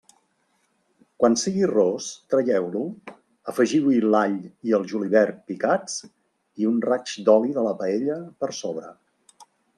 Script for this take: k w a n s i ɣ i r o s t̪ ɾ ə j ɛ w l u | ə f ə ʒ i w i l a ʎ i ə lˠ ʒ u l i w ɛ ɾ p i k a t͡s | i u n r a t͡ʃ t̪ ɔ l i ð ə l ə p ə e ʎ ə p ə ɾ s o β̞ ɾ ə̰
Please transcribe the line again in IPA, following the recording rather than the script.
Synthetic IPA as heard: k w a n s i ɣ i r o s t̪ ɾ ə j ɛ w l u | ə f ə ʒ i w i l a ʎ i ə lˠ ʒ u l i β ɛ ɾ p i k a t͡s | i u n r a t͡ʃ d̪ ɔ l i ð ə l ə p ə e ʎ ə p ə ɾ s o β̞ ɾ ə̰